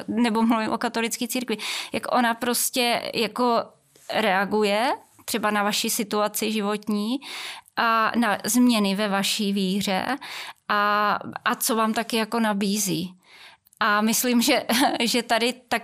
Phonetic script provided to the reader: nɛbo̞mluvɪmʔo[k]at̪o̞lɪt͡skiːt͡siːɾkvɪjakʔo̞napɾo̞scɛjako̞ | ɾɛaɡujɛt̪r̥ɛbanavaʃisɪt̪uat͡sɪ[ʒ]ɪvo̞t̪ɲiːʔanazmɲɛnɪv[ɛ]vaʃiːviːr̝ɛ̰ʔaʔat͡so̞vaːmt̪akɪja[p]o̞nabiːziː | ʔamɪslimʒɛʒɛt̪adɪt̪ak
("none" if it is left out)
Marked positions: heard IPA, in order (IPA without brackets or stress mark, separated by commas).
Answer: k, ʒ, ɛ, k